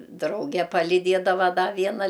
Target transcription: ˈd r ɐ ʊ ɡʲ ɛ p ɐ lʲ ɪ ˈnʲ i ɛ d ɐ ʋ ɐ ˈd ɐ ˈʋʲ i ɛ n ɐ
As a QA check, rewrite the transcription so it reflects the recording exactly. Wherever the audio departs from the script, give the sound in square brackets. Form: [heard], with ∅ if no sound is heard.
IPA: ˈd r ɐ ʊ ɡʲ ɛ p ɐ lʲ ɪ [ˈdʲ] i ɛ d ɐ ʋ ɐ ˈd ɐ ˈʋʲ i ɛ n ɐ